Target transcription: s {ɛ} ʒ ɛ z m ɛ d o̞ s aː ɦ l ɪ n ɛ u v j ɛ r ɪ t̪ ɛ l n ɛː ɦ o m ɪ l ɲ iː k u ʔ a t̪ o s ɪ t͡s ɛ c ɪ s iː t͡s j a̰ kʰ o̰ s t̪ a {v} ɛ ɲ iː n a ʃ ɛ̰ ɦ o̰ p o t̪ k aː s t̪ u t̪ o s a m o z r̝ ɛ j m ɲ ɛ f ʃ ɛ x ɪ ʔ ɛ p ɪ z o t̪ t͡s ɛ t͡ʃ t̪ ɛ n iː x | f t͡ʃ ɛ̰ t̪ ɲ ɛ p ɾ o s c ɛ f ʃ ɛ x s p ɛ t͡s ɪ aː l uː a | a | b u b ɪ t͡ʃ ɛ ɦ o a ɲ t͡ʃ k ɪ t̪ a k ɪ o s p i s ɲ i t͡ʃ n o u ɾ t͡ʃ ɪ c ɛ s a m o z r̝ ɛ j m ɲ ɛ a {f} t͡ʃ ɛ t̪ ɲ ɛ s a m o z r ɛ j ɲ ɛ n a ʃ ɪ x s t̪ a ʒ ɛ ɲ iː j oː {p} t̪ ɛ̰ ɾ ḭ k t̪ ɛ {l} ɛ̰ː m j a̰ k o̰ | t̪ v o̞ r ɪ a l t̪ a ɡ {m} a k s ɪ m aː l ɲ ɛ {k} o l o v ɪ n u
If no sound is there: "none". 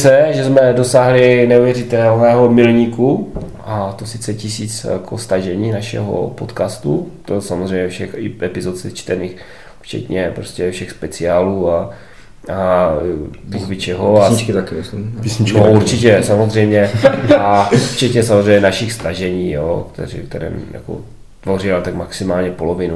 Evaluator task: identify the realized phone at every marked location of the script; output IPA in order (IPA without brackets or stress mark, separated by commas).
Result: ɛ, ʒ, f, k, ɾ, m, p